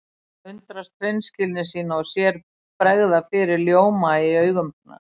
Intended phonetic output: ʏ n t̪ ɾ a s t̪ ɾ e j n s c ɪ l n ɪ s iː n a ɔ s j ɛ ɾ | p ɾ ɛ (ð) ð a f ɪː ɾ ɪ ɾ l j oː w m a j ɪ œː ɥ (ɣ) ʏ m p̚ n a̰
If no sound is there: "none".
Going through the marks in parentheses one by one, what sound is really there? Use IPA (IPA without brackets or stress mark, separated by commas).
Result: ɣ, ɣ